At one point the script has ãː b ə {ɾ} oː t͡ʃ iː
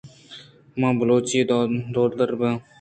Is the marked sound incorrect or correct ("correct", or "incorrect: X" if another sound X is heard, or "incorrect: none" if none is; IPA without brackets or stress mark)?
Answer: incorrect: l